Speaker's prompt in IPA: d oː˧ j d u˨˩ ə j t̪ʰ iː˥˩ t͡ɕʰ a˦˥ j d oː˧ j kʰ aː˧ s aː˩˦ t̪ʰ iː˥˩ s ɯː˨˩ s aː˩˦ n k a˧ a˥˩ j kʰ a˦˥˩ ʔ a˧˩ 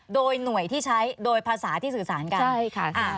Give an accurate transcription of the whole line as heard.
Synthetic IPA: d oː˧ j n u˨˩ ə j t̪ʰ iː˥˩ t͡ɕʰ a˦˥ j d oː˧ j pʰ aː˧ s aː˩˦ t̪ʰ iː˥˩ s ɯː˨˩ s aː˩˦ n k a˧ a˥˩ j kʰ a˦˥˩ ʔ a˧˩